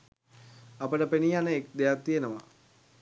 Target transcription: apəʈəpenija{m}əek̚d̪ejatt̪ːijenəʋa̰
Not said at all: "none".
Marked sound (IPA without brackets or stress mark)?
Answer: n